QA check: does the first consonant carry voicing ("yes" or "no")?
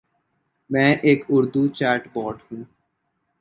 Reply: yes